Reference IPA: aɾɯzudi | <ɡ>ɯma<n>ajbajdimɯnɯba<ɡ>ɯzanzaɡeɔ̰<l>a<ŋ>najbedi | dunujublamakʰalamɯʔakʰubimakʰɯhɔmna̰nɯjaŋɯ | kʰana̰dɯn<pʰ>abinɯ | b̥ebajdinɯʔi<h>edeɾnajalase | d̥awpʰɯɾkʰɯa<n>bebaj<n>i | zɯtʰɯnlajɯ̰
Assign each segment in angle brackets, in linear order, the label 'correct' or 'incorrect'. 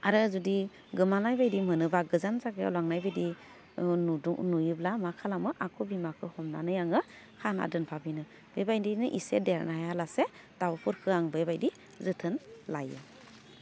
correct, correct, correct, correct, correct, correct, incorrect, incorrect, incorrect

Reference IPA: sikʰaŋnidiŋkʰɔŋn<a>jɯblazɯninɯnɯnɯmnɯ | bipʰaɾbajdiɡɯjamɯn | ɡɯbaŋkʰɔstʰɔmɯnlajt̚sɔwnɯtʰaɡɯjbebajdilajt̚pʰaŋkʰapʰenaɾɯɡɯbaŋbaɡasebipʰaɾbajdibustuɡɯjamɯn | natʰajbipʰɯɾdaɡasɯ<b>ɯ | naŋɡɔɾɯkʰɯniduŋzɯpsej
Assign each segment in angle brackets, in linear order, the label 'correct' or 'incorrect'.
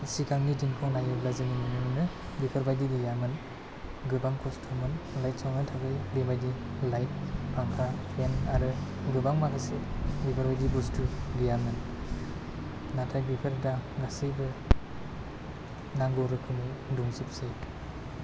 correct, correct

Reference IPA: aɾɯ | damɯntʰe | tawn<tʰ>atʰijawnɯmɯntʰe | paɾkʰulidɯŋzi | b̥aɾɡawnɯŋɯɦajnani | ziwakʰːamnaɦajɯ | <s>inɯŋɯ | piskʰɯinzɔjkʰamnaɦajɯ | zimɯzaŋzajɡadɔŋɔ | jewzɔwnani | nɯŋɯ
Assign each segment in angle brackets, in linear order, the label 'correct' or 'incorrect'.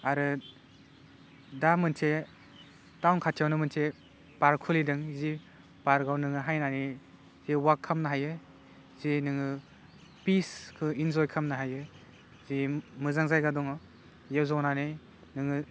incorrect, incorrect

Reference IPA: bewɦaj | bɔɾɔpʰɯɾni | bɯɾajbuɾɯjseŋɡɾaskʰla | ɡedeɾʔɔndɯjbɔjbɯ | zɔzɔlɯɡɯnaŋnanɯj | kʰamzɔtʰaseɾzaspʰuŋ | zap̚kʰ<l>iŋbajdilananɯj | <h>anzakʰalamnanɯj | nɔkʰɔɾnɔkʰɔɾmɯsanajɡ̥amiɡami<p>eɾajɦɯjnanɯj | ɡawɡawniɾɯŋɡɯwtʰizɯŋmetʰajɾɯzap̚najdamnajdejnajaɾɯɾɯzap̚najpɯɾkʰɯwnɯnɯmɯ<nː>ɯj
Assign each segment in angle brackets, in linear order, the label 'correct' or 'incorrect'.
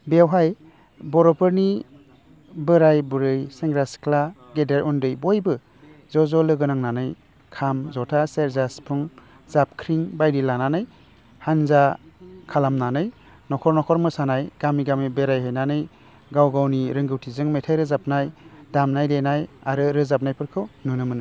incorrect, correct, incorrect, incorrect

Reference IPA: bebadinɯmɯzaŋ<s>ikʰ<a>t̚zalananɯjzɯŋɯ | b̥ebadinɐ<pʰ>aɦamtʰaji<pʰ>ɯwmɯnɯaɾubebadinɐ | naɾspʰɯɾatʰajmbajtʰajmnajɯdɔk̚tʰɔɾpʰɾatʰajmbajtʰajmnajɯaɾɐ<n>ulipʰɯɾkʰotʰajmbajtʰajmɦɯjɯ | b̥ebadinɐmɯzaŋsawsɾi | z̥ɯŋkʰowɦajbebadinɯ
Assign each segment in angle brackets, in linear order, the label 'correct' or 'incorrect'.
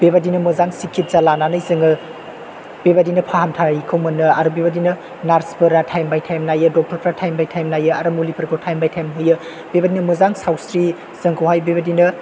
correct, incorrect, correct, incorrect, incorrect

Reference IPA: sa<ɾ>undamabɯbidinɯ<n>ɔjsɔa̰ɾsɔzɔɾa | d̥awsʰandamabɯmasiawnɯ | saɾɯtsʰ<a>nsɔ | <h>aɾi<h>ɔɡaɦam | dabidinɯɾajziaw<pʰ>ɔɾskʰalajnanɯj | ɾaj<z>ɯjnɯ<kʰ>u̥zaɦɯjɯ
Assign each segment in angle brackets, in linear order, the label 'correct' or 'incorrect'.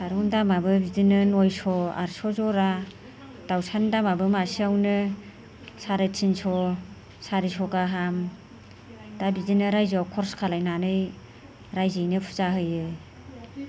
correct, correct, incorrect, incorrect, incorrect, incorrect, correct, incorrect

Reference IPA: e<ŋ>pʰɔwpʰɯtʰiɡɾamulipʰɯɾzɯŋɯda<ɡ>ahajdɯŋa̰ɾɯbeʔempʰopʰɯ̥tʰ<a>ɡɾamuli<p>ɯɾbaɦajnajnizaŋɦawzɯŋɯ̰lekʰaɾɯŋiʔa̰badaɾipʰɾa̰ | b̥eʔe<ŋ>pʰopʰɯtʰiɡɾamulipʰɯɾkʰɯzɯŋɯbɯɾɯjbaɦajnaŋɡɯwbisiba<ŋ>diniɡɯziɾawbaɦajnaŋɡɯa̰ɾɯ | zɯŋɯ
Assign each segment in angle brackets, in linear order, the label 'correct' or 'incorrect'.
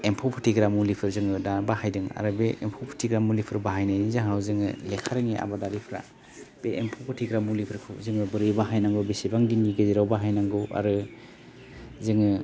incorrect, incorrect, incorrect, incorrect, incorrect, correct

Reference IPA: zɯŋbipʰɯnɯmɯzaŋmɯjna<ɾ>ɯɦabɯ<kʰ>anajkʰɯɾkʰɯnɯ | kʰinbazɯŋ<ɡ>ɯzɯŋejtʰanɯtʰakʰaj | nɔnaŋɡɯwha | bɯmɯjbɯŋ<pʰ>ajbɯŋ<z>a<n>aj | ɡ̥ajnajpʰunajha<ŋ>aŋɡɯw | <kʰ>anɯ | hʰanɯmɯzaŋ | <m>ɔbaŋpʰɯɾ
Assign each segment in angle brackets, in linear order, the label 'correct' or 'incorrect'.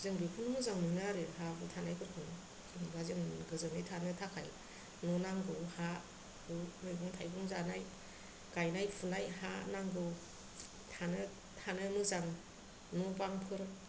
correct, incorrect, correct, incorrect, correct, correct, incorrect, incorrect, incorrect

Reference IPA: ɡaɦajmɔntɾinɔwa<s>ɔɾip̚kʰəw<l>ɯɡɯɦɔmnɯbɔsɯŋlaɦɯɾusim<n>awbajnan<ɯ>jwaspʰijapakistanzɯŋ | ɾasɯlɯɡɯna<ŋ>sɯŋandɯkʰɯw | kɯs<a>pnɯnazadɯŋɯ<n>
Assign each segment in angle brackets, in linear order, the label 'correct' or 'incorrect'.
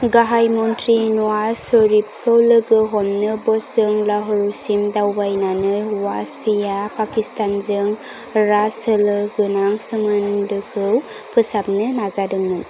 correct, correct, incorrect, correct, correct, correct, correct

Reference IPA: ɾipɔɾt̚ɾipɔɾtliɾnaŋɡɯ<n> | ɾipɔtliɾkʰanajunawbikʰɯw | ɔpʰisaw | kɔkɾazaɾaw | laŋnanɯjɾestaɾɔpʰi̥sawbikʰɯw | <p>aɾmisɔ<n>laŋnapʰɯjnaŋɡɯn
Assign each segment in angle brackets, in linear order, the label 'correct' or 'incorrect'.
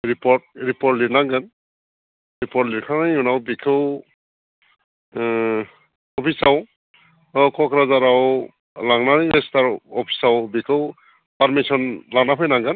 correct, correct, correct

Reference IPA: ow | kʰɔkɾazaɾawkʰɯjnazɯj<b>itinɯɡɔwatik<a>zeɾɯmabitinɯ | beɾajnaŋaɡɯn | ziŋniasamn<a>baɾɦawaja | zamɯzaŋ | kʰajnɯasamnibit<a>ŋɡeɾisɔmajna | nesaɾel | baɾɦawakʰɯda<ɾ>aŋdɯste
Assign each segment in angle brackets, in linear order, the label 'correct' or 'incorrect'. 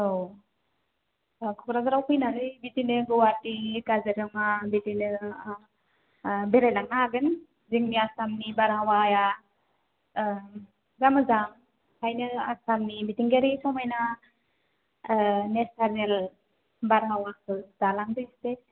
correct, correct, incorrect, incorrect, incorrect

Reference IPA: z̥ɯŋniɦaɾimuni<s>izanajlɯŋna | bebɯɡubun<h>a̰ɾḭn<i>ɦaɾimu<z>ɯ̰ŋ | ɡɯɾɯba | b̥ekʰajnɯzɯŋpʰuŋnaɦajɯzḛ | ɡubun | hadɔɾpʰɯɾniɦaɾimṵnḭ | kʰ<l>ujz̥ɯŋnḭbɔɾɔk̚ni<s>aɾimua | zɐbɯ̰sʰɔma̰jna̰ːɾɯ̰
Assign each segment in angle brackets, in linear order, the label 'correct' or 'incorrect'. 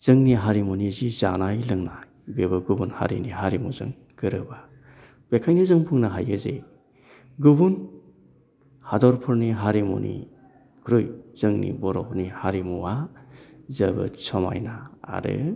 incorrect, correct, correct, correct, incorrect, incorrect

